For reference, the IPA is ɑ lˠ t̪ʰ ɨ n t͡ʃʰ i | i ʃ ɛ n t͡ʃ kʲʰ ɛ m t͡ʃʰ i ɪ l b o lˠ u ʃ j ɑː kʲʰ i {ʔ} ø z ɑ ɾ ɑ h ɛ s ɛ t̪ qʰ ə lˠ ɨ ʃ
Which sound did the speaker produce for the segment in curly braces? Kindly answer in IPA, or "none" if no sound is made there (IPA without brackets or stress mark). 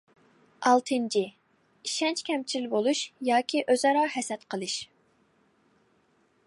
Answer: ʔ